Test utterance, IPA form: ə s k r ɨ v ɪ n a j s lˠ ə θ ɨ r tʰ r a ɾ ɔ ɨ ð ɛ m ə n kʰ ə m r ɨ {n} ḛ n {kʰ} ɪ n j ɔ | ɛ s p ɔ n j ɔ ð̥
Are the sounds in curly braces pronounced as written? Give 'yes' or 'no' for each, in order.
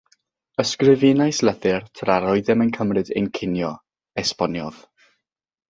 no, yes

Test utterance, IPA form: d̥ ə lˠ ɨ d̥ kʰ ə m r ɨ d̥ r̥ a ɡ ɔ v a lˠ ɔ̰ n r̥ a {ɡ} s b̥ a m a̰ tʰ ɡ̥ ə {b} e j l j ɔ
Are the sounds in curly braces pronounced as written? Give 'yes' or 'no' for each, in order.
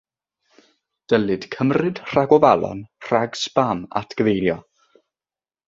yes, no

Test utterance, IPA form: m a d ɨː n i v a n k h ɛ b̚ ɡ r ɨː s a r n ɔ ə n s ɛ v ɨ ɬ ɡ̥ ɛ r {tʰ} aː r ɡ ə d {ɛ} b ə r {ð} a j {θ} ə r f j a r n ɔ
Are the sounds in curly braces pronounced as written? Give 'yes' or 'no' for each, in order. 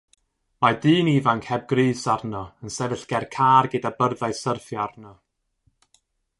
no, no, yes, no

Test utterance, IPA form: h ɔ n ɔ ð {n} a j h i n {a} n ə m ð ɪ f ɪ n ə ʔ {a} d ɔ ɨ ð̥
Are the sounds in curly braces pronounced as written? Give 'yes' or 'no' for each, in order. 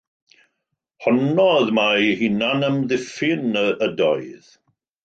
no, yes, no

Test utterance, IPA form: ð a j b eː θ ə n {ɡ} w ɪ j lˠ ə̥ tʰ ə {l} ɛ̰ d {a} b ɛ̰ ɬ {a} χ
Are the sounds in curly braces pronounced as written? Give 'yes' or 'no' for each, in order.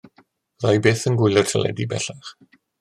yes, yes, no, yes

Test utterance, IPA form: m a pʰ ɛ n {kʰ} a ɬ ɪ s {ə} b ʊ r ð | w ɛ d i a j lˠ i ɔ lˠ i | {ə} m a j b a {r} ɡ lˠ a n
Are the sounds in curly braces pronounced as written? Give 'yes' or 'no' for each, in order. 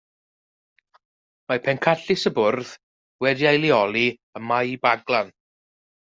yes, yes, yes, no

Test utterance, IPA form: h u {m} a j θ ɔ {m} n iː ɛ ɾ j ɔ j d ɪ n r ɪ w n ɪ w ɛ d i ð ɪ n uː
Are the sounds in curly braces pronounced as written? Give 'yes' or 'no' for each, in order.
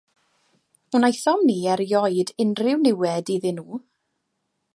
no, yes

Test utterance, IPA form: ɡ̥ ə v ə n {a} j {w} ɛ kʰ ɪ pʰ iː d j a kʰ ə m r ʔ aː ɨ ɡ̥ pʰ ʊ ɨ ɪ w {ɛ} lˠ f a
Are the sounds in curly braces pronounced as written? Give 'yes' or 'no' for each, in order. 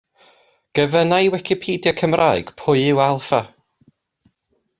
yes, yes, no

